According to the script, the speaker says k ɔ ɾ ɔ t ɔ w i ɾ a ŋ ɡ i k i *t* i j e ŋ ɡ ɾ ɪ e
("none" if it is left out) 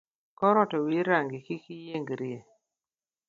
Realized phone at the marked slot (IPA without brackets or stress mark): k